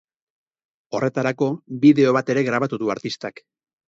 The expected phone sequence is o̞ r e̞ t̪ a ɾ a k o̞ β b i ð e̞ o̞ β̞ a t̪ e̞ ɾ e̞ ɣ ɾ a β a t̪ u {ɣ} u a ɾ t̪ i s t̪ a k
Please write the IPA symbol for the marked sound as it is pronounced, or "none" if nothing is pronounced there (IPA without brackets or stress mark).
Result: ð